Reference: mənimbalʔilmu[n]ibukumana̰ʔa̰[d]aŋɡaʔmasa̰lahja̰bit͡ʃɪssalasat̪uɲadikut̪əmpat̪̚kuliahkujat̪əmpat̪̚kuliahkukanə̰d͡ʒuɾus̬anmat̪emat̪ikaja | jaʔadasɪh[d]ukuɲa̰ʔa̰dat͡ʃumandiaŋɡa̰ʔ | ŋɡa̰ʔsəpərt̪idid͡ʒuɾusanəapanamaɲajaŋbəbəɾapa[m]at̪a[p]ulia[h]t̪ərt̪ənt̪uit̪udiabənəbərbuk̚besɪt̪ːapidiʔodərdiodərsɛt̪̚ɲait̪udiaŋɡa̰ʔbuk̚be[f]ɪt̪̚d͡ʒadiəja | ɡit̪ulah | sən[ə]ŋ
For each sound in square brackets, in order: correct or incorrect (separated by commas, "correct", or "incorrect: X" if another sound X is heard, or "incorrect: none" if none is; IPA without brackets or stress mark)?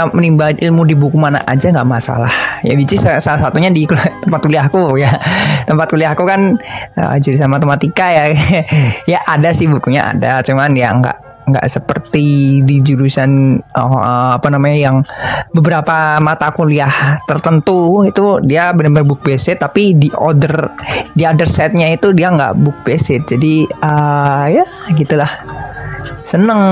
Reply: incorrect: d, incorrect: d͡ʒ, incorrect: b, correct, incorrect: k, correct, incorrect: s, correct